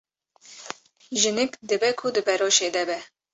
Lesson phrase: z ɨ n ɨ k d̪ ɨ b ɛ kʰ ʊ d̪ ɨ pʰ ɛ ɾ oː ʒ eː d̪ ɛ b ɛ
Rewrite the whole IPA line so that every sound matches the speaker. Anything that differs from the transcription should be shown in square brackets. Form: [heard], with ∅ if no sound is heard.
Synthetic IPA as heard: [ʒ] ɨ n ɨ k d̪ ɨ b ɛ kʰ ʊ d̪ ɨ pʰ ɛ ɾ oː [ʃ] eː d̪ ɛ b ɛ